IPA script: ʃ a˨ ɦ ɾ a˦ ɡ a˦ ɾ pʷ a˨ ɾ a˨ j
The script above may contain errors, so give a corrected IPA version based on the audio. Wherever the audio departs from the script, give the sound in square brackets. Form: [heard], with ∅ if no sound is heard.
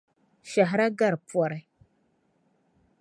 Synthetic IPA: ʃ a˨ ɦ ɾ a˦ ɡ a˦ ɾ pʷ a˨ ɾ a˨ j